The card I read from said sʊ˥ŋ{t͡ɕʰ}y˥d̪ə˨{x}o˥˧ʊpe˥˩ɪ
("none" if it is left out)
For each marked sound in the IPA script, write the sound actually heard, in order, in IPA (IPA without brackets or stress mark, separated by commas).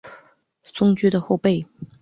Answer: t͡ɕ, x